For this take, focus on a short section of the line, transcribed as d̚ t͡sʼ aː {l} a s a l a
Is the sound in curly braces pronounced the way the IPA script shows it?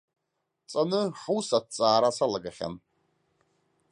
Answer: no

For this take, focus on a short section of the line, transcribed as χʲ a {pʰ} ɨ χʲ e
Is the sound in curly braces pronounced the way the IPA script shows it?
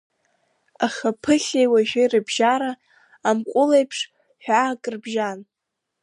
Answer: yes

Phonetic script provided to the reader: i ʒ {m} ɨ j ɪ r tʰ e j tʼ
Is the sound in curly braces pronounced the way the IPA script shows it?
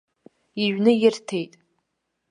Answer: no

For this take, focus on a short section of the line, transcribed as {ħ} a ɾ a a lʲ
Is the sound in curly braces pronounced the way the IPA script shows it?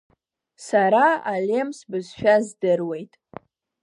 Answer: no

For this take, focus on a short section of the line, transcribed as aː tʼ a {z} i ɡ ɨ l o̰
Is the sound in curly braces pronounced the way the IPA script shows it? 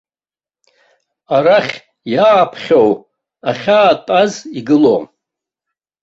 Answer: yes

